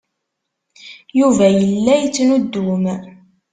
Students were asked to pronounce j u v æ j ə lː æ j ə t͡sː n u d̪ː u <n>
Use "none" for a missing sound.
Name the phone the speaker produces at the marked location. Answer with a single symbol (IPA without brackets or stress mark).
m